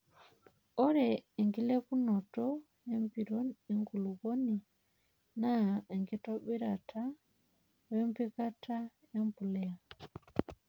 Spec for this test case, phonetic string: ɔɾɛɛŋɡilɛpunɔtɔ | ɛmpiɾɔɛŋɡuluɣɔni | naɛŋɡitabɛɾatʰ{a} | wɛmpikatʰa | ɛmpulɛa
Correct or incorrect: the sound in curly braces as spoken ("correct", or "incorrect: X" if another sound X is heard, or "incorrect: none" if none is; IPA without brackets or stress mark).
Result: correct